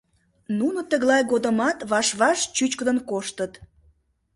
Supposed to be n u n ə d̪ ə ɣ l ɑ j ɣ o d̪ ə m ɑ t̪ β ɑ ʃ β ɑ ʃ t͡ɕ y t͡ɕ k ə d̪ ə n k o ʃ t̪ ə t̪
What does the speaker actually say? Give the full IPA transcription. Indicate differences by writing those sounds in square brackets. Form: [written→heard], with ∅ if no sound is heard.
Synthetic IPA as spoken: n u n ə [d̪→t̪] ə ɣ l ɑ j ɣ o d̪ ə m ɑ t̪ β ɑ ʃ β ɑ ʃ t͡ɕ y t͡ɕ k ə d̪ ə n k o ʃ t̪ ə t̪